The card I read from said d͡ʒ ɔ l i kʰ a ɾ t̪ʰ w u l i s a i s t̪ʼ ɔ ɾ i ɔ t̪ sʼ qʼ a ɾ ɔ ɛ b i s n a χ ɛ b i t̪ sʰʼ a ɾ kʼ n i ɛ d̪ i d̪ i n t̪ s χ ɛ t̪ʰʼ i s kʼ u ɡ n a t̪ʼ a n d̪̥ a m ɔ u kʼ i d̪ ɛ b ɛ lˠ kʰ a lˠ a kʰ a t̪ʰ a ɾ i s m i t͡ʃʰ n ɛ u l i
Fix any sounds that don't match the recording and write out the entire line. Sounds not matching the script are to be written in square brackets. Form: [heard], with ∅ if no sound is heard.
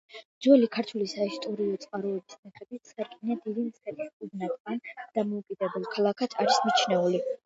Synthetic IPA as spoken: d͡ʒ ɔ l i kʰ a ɾ t̪ʰ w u l i s a i s t̪ʼ ɔ ɾ i ɔ t̪ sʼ qʼ a ɾ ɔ ɛ b i s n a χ ɛ b i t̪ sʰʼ a ɾ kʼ n i [a] d̪ i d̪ i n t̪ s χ ɛ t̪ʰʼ i s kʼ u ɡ n a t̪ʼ a n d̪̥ a m ɔ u kʼ i d̪ ɛ b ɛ lˠ kʰ a lˠ a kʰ a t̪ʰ a ɾ i s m i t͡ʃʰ n ɛ u l i